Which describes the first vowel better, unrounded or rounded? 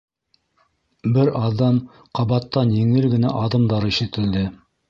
unrounded